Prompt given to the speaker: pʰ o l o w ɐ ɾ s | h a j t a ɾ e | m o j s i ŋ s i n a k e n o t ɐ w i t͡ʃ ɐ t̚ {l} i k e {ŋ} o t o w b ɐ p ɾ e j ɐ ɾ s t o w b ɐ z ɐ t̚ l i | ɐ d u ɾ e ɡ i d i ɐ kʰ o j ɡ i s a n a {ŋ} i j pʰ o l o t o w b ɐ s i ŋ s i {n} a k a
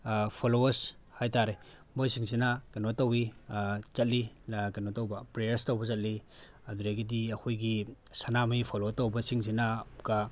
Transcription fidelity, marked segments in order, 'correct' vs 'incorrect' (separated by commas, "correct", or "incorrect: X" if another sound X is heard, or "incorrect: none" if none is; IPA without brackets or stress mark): correct, incorrect: n, incorrect: m, correct